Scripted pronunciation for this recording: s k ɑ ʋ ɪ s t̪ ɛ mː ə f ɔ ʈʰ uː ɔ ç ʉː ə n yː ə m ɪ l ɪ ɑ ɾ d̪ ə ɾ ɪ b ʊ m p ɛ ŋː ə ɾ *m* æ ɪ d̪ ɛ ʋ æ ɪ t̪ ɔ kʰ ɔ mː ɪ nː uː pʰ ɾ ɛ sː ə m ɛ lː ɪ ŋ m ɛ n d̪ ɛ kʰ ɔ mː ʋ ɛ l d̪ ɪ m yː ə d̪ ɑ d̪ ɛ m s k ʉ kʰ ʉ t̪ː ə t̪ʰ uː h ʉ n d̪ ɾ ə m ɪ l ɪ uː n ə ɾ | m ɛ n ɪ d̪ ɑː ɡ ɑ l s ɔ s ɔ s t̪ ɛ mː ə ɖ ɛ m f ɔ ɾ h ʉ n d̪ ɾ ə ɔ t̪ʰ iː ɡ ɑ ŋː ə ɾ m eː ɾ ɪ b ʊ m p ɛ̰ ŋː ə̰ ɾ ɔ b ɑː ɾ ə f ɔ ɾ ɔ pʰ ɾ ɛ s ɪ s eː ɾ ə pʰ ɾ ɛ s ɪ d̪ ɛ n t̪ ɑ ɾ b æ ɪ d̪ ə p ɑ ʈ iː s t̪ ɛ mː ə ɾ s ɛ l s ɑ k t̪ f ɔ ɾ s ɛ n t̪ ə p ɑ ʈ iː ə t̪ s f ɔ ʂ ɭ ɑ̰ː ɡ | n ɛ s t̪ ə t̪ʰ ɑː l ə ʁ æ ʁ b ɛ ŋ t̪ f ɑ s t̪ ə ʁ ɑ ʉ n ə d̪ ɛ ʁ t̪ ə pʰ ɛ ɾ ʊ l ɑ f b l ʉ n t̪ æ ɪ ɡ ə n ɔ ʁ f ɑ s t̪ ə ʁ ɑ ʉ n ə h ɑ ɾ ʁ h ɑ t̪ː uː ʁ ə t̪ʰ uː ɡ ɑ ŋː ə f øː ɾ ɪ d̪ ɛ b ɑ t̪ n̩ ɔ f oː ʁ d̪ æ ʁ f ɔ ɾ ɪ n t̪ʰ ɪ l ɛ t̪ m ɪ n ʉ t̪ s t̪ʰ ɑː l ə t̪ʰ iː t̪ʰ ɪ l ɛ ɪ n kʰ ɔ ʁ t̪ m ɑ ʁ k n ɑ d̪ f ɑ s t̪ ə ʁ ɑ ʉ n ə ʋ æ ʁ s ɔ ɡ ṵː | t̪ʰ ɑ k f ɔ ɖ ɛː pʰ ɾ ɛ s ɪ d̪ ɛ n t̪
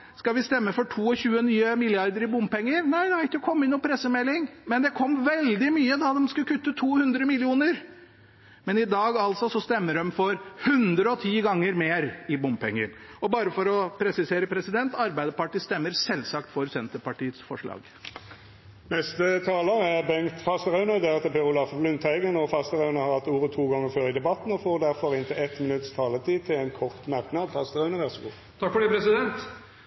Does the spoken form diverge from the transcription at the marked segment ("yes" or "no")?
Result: yes